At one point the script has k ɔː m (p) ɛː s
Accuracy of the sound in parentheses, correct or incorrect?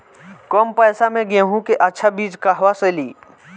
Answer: correct